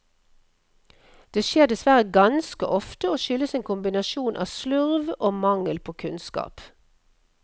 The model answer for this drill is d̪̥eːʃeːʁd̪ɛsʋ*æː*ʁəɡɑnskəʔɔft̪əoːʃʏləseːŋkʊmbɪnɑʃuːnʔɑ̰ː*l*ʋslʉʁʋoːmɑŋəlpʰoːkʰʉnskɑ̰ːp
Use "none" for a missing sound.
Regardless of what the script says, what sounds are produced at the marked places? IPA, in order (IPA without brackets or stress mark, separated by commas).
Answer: æ, none